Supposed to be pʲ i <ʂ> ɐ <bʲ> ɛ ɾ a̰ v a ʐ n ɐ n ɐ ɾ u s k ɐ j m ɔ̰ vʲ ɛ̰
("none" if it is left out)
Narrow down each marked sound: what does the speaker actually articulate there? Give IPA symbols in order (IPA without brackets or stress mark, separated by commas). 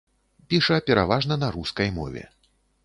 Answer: ʂ, pʲ